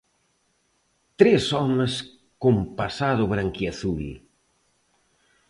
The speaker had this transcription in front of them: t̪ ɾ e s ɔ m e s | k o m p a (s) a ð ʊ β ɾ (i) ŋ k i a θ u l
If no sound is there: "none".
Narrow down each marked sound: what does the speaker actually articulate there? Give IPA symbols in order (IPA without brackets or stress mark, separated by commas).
s, a